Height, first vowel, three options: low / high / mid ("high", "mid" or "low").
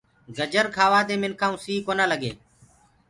mid